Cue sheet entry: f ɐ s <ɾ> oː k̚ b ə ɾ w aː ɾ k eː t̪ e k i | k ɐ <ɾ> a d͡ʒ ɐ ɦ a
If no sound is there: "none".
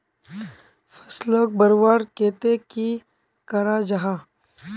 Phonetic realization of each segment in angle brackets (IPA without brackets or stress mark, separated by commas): l, ɾ